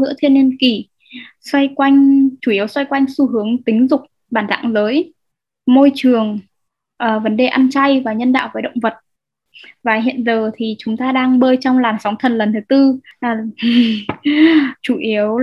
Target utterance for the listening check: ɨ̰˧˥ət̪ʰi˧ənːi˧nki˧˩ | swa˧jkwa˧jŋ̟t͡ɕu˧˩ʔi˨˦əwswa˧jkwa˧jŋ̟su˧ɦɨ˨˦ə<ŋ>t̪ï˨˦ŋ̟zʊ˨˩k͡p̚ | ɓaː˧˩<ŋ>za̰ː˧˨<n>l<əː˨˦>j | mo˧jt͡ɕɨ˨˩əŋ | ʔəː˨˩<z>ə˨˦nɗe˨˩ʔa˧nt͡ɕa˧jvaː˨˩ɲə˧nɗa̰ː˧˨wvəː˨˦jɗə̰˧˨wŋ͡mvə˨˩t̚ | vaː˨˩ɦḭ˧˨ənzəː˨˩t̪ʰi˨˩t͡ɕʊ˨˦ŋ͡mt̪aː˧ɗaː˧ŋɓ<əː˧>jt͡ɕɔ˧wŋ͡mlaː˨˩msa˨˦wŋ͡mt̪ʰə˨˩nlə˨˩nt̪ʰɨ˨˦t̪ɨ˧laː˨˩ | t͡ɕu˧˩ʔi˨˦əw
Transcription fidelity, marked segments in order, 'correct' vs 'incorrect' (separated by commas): correct, incorrect, incorrect, correct, incorrect, correct